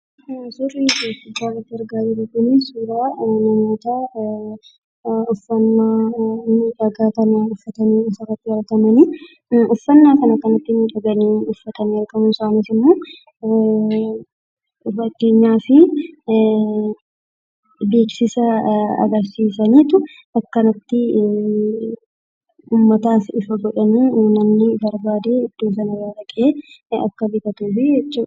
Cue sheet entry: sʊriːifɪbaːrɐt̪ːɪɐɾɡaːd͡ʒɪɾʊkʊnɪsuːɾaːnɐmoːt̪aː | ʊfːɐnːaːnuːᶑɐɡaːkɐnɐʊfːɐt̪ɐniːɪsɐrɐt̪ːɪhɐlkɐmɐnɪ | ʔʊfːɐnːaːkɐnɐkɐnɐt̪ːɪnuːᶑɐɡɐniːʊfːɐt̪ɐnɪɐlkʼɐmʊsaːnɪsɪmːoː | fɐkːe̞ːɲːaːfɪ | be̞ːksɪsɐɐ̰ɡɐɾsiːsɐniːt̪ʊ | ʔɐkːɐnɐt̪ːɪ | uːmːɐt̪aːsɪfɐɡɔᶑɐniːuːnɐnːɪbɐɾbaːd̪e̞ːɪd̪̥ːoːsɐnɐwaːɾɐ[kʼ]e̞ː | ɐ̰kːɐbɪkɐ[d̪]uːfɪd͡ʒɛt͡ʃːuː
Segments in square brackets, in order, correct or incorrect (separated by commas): correct, incorrect